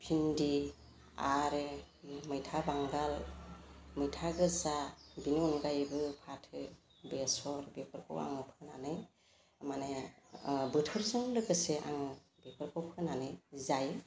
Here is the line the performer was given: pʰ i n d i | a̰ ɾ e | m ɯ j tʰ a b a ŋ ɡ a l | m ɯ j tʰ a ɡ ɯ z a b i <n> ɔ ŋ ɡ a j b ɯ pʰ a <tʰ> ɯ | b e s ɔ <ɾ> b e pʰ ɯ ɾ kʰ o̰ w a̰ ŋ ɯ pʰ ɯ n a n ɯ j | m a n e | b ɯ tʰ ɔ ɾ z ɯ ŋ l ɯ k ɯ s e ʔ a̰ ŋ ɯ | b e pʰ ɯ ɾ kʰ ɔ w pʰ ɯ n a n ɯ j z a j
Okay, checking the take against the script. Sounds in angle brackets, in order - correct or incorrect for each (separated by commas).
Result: correct, correct, correct